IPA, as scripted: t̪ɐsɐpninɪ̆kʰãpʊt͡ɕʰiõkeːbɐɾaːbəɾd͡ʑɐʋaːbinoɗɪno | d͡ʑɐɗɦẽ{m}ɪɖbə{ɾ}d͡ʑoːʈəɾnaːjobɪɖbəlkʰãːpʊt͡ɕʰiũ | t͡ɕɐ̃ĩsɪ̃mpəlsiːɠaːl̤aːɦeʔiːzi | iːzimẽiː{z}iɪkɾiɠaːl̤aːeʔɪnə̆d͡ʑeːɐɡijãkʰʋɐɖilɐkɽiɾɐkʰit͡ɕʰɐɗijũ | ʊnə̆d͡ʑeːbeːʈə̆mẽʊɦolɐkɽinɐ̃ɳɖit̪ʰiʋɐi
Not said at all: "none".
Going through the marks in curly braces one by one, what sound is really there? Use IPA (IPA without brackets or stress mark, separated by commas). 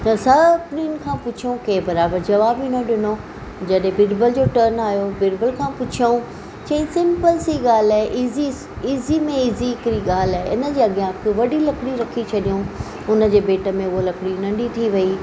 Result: b, l, z